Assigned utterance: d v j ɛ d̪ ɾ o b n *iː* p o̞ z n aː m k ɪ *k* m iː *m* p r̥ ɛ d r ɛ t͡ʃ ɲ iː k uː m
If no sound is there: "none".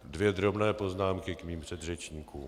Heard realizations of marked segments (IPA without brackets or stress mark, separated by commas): ɛː, k, m